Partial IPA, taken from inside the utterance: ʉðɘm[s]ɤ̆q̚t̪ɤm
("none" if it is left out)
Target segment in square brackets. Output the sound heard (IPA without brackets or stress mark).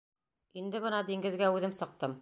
s